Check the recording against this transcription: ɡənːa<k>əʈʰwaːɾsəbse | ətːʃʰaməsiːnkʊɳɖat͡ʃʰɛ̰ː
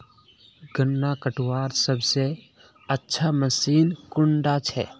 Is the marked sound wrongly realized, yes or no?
no